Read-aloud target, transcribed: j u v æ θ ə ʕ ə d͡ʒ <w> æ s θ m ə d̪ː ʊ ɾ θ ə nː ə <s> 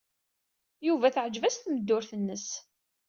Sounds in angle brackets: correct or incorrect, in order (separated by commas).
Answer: incorrect, correct